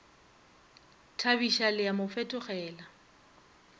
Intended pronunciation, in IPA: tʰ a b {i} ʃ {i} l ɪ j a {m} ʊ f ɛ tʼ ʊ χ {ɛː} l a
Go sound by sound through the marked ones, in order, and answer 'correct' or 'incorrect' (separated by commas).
correct, incorrect, correct, correct